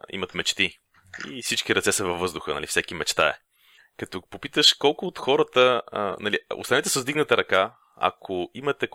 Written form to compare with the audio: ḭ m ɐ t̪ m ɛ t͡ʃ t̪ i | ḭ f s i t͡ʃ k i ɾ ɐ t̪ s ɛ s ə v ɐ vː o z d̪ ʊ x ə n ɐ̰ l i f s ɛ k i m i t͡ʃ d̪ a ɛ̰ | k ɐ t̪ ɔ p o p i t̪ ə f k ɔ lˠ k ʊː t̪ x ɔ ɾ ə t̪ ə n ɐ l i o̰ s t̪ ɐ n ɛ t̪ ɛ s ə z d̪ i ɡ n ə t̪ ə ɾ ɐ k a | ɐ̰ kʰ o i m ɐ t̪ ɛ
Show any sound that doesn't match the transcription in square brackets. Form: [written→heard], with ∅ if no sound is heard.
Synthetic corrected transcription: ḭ m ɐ t̪ m ɛ t͡ʃ t̪ i | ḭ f s i t͡ʃ k i ɾ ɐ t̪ s ɛ s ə v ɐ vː [o→ɤ] z d̪ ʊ x ə n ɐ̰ l i f s ɛ k i m [i→ɛ] t͡ʃ [d̪→t̪] a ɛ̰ | k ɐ t̪ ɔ p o p i t̪ ə [f→ʃ] k ɔ lˠ k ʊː t̪ x ɔ ɾ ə t̪ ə n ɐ l i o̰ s t̪ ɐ n ɛ t̪ ɛ s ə z d̪ i ɡ n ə t̪ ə ɾ ɐ k a | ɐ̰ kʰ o i m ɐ t̪ ɛ